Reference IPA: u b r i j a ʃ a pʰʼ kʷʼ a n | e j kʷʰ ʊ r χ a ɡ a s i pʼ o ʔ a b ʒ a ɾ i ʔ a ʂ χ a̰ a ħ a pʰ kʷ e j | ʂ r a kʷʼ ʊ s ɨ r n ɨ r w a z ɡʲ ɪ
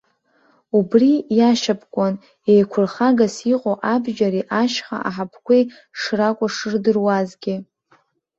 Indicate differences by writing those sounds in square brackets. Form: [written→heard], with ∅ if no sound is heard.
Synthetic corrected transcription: u b r i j a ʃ a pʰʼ kʷʼ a n | e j kʷʰ ʊ r χ a ɡ a s i [pʼ→qʼ] o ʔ a b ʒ a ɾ i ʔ a [ʂ→ʃ] χ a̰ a ħ a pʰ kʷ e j | ʂ r a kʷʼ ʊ [s→ʂ] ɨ r [n→d] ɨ r w a z ɡʲ ɪ